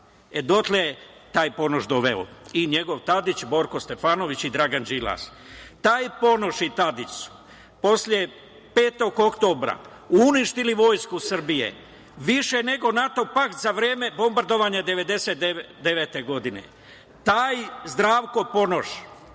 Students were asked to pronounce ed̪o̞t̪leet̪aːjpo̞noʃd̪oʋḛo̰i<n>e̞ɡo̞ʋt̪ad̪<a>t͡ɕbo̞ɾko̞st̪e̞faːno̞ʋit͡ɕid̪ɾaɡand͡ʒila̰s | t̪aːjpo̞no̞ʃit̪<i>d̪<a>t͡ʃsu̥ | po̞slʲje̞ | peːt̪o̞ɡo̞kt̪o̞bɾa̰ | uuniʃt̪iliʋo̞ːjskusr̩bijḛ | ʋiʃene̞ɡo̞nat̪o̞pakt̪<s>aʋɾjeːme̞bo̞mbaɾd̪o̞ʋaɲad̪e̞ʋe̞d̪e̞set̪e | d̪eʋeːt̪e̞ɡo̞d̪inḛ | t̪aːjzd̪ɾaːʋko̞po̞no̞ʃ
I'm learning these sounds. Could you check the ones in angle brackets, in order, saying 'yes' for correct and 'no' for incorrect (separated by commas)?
no, no, no, no, no